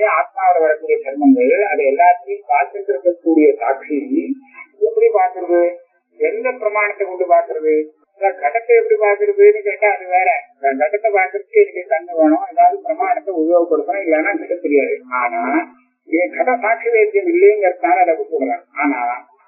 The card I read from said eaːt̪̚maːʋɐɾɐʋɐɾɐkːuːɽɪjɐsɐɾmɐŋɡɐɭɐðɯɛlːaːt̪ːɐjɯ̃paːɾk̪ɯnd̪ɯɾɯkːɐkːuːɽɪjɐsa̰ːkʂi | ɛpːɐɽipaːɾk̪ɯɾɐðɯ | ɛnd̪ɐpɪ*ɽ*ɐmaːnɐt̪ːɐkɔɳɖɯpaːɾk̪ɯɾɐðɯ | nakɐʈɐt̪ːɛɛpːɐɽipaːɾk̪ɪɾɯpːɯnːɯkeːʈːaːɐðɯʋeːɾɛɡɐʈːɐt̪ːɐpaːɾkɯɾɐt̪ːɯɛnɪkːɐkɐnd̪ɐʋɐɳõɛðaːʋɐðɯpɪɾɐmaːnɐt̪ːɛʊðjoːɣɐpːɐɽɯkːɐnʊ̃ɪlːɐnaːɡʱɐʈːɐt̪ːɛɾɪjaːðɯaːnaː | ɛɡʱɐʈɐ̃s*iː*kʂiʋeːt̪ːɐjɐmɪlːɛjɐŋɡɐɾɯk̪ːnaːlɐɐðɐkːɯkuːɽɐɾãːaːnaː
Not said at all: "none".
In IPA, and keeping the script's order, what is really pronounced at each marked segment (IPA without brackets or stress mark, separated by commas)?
ɾ, aː